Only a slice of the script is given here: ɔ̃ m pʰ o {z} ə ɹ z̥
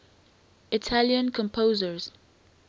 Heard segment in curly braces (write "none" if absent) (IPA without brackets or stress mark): z